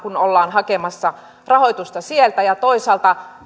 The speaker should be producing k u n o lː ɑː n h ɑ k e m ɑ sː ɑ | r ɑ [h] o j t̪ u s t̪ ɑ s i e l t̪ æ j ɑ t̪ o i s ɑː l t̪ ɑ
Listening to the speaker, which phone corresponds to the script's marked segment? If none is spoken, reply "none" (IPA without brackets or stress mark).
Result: h